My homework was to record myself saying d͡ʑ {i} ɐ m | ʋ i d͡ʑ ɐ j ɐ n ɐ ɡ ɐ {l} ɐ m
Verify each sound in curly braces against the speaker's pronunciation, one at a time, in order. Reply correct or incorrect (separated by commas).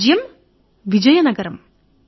incorrect, incorrect